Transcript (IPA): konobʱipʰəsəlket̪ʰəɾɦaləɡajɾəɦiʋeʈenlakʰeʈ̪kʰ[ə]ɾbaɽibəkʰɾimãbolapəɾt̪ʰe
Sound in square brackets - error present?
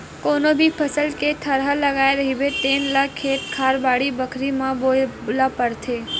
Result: yes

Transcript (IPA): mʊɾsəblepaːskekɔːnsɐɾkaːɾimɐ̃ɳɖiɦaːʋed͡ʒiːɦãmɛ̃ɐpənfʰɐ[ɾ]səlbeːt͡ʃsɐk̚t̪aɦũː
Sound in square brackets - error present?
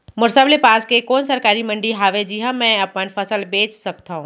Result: yes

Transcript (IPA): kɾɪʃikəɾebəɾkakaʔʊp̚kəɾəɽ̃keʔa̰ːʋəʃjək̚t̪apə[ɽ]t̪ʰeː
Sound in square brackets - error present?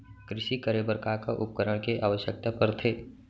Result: yes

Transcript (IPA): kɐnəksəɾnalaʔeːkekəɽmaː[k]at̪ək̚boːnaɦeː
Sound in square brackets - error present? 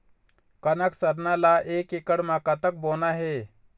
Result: no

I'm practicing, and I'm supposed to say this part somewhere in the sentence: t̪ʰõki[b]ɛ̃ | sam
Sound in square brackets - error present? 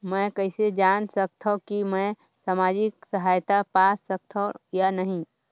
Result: yes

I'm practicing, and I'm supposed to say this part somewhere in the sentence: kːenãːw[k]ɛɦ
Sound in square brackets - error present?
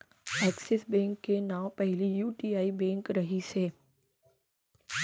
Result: yes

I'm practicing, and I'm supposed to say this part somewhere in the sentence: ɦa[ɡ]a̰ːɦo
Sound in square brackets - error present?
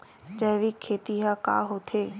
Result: yes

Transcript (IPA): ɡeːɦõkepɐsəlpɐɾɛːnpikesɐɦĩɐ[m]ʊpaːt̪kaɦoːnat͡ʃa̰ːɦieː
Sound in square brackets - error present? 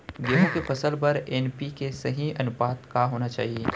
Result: yes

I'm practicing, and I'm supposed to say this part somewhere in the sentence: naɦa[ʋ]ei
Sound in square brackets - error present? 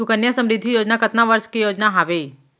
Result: no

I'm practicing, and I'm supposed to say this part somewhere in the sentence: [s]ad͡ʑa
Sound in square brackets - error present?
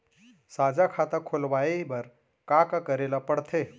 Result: no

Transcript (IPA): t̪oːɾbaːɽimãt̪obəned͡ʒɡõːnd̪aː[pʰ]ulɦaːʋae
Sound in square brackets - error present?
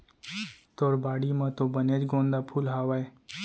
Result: no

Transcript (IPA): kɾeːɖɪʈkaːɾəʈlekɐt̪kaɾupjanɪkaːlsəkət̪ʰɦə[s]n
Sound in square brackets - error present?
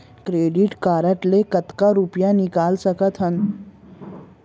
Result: yes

